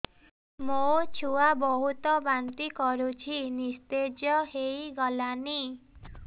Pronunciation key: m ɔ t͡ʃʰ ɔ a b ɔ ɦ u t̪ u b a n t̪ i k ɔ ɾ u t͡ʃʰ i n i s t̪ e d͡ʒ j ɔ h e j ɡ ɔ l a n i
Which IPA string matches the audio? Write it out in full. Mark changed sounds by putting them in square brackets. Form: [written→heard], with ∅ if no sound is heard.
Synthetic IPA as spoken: m [ɔ→o] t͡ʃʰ [ɔ→u] a b ɔ ɦ u t̪ [u→ɔ] b a n t̪ i k ɔ ɾ u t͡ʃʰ i n i s t̪ e d͡ʒ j ɔ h e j ɡ ɔ l a n i